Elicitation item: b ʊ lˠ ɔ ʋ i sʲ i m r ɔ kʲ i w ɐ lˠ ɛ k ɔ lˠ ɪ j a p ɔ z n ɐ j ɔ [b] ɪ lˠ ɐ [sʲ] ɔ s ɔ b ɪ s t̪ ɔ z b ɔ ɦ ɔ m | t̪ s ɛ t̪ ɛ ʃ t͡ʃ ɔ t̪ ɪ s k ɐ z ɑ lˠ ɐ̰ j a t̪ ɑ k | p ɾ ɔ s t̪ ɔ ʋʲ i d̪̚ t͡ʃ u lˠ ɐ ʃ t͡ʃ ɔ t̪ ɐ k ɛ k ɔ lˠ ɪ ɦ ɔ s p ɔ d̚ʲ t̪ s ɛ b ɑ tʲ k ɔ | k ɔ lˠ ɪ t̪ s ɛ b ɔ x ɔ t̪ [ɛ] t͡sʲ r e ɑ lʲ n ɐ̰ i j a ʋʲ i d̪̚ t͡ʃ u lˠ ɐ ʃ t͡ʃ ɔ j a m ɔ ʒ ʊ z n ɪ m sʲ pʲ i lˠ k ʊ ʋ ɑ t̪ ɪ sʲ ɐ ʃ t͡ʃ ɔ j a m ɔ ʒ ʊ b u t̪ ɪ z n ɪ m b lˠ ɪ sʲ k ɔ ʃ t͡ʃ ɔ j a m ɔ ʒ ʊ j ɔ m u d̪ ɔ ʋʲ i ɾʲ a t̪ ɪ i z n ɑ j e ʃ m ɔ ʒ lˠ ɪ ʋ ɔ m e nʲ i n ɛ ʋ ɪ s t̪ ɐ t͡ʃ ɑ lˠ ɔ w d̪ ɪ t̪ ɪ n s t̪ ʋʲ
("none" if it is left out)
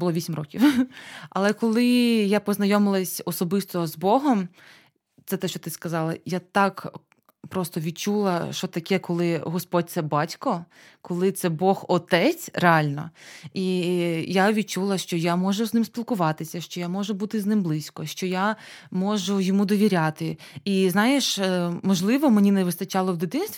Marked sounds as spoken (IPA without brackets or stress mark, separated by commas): m, sʲ, ɛ